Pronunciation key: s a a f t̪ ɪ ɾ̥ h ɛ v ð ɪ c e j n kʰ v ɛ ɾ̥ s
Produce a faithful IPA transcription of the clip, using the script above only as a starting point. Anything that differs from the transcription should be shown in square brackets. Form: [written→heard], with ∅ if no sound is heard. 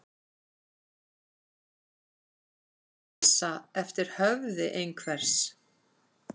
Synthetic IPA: s a [a→ɛ] f t̪ ɪ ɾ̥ h [ɛ→œ] v ð ɪ [c→ʔ] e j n kʰ v ɛ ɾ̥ s